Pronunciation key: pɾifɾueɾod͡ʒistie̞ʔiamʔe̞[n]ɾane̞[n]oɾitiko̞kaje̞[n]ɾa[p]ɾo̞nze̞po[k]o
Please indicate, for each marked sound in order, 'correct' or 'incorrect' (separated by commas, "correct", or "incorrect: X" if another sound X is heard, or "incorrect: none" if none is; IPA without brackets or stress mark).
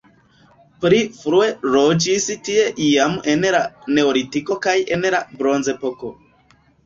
correct, incorrect: none, correct, incorrect: b, correct